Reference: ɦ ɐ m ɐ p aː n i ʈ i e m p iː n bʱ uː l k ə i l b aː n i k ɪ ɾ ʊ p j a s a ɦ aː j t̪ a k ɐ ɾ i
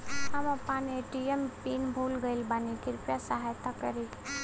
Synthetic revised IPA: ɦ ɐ m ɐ p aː n e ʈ i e m p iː n bʱ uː l ɡ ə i l b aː n i k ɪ ɾ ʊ p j a s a ɦ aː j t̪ a k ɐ ɾ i